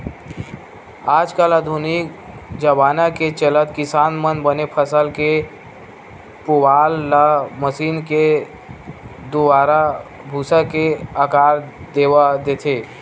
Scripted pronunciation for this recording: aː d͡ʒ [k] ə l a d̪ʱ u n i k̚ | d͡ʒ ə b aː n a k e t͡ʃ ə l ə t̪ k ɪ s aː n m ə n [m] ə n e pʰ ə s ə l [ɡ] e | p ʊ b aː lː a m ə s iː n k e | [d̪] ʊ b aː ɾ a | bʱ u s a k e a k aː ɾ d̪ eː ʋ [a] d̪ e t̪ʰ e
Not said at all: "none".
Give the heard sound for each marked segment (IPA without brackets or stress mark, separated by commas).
k, b, k, d̪, a